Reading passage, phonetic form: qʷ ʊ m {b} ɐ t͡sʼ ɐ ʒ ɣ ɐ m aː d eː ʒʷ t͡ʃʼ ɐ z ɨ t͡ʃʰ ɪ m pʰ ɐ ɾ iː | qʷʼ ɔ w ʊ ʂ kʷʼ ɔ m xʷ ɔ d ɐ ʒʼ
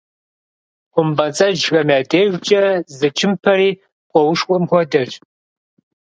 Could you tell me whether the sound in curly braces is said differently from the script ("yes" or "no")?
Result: no